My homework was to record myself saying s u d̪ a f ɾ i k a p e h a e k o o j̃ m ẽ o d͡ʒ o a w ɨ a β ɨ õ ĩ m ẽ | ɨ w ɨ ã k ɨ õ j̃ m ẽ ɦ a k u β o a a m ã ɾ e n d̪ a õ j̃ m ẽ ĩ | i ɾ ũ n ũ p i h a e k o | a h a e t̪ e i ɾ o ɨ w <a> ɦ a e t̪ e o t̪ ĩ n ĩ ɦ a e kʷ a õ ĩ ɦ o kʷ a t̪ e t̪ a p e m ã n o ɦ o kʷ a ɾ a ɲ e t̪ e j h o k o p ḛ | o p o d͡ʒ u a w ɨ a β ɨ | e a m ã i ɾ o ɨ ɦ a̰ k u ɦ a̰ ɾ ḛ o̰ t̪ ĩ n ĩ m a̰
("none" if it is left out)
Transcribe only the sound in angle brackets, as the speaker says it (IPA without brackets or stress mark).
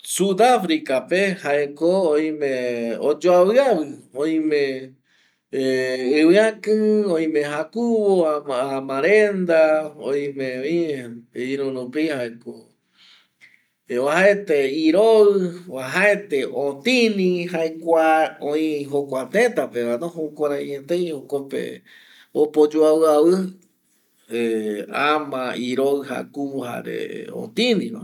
a